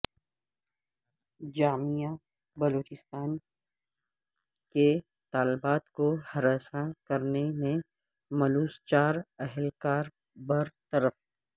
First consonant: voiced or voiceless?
voiced